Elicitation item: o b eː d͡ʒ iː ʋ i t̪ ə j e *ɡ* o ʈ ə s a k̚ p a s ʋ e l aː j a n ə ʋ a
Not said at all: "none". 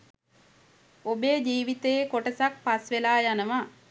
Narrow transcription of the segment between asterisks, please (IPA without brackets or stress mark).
k